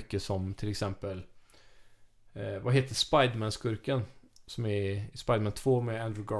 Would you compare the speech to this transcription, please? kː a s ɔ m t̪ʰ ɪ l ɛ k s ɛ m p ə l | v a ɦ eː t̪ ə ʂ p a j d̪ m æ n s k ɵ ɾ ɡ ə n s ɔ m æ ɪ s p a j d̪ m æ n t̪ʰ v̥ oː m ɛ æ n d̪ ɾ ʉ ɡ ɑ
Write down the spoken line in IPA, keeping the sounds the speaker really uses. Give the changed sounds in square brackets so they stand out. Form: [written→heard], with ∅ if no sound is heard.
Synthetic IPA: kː [a→ə] s ɔ m t̪ʰ ɪ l ɛ k s ɛ m p ə l | v a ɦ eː t̪ ə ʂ p a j d̪ m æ n s k ɵ ɾ [ɡ→k] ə n s ɔ m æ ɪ s p a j d̪ m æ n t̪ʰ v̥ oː m ɛ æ n d̪ ɾ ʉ ɡ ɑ